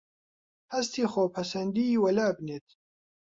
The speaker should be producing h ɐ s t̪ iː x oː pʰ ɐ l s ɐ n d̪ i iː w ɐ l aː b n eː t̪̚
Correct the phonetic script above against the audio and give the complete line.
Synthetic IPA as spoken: h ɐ s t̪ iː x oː pʰ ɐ s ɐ n d̪ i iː w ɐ l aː b n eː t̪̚